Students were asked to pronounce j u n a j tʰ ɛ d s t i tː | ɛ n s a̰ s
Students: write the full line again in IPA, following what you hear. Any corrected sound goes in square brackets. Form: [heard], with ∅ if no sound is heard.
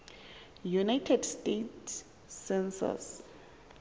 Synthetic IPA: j u n a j tʰ ɛ d s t [e] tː | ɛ n s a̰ s